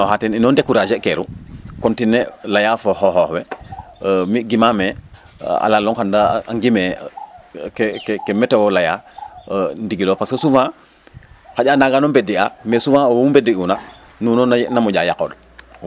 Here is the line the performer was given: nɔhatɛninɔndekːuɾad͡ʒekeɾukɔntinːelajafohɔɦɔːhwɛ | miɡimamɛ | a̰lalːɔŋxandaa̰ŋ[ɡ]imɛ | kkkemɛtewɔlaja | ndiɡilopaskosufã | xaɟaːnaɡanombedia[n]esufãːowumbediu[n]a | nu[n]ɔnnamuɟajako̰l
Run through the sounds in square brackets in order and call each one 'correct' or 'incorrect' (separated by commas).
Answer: correct, incorrect, correct, correct